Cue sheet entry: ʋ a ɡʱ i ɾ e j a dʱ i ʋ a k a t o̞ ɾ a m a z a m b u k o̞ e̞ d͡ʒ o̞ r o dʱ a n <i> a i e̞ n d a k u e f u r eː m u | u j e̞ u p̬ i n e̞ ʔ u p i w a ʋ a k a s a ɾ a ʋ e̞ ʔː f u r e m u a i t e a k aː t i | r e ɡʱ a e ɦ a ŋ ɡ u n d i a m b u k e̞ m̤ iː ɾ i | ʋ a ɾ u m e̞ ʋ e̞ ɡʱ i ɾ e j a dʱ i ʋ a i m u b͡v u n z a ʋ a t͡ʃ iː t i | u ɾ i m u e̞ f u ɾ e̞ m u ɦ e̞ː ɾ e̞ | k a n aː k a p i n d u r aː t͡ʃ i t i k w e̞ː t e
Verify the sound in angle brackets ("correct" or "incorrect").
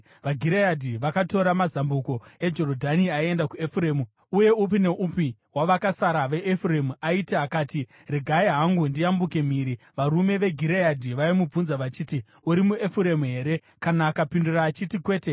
correct